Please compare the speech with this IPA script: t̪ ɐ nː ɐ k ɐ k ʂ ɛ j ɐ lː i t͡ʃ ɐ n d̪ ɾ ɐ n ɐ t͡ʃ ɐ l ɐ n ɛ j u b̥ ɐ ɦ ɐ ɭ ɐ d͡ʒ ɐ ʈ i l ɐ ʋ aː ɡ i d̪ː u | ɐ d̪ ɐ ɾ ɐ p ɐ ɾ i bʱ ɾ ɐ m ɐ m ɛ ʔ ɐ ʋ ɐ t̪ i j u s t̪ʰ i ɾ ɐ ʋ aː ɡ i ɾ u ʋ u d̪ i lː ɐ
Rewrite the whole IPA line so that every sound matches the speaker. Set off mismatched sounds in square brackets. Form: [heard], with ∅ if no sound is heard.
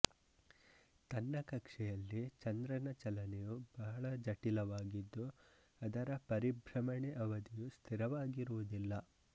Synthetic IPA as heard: t̪ ɐ nː ɐ k ɐ k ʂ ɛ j ɐ lː i t͡ʃ ɐ n d̪ ɾ ɐ n ɐ t͡ʃ ɐ l ɐ n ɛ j u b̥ ɐ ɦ ɐ ɭ ɐ d͡ʒ ɐ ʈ i l ɐ ʋ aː ɡ i d̪ː u | ɐ d̪ ɐ ɾ ɐ p ɐ ɾ i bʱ ɾ ɐ m ɐ [ɳ] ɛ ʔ ɐ ʋ ɐ [d̪] i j u s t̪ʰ i ɾ ɐ ʋ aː ɡ i ɾ u ʋ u d̪ i lː ɐ